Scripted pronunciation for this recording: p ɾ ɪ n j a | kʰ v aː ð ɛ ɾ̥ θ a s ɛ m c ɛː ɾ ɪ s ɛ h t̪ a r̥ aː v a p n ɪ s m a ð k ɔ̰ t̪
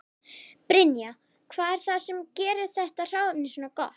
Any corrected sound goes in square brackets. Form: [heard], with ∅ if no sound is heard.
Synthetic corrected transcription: p ɾ ɪ n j a | kʰ v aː ð ɛ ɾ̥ θ a s ɛ m c ɛː ɾ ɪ [θ] ɛ h t̪ a r̥ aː [w] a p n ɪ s [n] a [∅] k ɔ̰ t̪

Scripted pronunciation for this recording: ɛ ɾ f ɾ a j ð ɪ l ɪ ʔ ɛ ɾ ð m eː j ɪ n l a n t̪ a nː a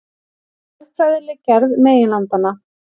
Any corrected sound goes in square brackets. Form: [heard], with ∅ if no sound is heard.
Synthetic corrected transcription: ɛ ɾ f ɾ a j ð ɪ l ɪ [c] ɛ ɾ ð m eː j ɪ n l a n t̪ a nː a

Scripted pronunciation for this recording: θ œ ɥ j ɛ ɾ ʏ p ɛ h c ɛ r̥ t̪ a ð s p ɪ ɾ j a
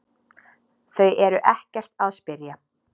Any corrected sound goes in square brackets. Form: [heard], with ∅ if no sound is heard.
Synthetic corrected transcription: θ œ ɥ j ɛ ɾ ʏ [ʔ] ɛ h c ɛ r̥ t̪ a ð s p ɪ ɾ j a

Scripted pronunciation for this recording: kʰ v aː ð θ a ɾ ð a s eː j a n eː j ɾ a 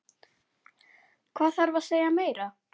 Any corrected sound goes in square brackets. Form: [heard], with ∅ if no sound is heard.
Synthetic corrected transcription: kʰ v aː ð θ a ɾ [v] a s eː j a [m] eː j ɾ a

